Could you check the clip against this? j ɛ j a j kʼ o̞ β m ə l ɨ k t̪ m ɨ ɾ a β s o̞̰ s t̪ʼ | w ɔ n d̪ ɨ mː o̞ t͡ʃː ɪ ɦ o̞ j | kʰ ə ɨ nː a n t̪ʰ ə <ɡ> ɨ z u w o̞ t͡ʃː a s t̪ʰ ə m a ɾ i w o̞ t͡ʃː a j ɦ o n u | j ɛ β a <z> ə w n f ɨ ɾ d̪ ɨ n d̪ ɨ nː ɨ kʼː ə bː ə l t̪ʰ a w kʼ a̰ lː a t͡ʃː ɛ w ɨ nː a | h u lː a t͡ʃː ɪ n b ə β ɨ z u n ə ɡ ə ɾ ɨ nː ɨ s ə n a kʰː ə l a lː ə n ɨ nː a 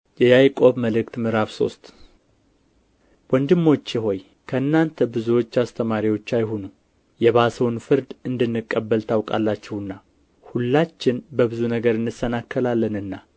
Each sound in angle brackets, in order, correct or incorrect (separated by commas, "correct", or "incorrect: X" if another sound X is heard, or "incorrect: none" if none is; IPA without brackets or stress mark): incorrect: b, incorrect: s